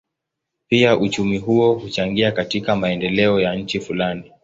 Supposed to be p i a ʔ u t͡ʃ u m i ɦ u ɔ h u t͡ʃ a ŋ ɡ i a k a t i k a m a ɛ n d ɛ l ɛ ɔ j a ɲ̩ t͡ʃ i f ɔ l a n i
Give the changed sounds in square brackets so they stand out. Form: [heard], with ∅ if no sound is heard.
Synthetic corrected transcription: p i a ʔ u t͡ʃ u m i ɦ u ɔ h u t͡ʃ a ŋ ɡ i a k a t i k a m a ɛ n d ɛ l ɛ ɔ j a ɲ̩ t͡ʃ i f [u] l a n i